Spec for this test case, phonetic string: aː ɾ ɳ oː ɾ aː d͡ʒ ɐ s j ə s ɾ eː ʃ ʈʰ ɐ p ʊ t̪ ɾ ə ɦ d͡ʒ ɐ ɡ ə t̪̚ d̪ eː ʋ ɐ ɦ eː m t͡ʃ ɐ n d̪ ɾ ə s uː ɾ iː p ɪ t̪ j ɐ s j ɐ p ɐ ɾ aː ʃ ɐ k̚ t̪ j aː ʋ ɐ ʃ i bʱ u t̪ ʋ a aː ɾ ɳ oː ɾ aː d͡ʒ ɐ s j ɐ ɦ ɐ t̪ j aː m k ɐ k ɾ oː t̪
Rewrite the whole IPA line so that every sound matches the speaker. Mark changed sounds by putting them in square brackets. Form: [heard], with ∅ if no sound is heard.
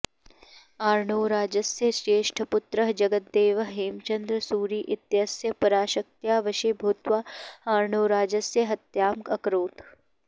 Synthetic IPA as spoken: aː ɾ ɳ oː ɾ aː d͡ʒ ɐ s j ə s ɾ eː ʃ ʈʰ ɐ p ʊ t̪ ɾ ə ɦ d͡ʒ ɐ ɡ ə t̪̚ d̪ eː ʋ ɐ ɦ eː m t͡ʃ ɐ n d̪ ɾ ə s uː ɾ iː [ʔ] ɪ t̪ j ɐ s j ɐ p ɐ ɾ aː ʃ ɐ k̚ t̪ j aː ʋ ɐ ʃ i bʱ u t̪ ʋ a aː ɾ ɳ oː ɾ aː d͡ʒ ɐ s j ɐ ɦ ɐ t̪ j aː m k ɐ k ɾ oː t̪